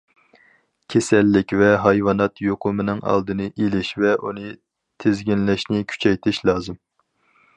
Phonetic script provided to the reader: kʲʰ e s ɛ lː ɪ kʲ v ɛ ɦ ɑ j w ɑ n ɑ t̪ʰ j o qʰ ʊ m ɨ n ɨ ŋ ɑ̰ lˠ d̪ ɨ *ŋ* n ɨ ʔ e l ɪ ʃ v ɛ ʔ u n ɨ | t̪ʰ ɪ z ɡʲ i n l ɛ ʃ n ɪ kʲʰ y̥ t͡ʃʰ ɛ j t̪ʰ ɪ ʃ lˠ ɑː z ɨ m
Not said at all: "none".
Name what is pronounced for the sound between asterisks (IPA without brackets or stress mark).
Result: none